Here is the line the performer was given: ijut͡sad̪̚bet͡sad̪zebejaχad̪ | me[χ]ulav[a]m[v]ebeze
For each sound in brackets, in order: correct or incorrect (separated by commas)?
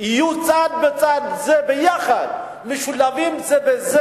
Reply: incorrect, incorrect, incorrect